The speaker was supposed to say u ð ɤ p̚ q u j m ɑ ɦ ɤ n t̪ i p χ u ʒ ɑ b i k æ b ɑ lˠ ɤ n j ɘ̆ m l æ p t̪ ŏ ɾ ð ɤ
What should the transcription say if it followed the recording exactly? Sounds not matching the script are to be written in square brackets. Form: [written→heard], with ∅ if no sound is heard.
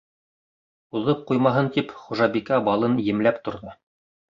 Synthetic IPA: u ð ɤ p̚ q u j m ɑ ɦ ɤ n t̪ i p χ u ʒ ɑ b i k æ b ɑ lˠ ɤ n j ɘ̆ m l æ p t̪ ŏ ɾ ð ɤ